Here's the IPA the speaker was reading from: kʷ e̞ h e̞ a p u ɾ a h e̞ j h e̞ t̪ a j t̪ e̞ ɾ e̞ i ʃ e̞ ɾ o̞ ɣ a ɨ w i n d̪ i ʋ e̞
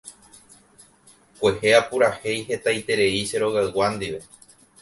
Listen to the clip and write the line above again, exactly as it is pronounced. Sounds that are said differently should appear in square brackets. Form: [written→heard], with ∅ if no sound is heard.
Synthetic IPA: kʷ e̞ h e̞ a p u ɾ a h e̞ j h e̞ t̪ a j t̪ e̞ ɾ e̞ i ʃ e̞ ɾ o̞ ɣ a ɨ w [i→a] n d̪ i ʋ e̞